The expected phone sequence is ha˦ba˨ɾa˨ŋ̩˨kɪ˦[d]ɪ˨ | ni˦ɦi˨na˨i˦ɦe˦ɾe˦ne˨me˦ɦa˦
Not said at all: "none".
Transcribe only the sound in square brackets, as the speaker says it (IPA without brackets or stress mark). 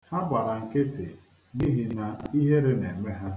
t